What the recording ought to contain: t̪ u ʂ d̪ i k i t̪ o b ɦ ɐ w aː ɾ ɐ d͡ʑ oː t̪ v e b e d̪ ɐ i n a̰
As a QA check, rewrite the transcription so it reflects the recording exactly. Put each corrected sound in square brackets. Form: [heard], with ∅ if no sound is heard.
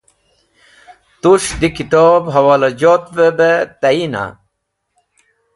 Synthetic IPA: t̪ u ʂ d̪ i k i t̪ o b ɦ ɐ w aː [l] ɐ d͡ʑ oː t̪ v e b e [t̪] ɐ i n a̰